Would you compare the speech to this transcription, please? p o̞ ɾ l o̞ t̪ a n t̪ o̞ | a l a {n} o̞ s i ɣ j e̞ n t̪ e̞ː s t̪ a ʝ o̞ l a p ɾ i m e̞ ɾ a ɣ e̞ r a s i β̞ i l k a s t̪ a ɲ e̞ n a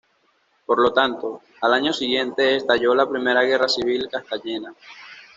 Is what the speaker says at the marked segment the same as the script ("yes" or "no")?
no